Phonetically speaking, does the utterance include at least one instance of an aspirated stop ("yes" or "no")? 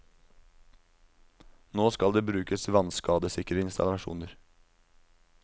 no